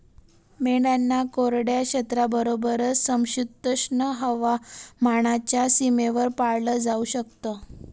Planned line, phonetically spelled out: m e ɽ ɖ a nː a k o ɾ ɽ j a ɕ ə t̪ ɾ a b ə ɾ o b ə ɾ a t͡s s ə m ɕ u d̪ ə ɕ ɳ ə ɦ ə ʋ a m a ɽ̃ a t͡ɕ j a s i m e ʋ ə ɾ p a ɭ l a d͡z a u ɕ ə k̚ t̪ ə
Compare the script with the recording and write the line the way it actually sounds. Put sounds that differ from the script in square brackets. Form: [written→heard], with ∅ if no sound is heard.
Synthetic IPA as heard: m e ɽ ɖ a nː a k o ɾ ɽ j a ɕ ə t̪ ɾ a b ə ɾ o b ə ɾ [a→ə] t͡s s ə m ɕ u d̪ ə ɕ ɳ ə ɦ ə ʋ a m a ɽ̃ a t͡ɕ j a s i m e ʋ ə ɾ p a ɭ l [a→ə] d͡z a u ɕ ə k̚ t̪ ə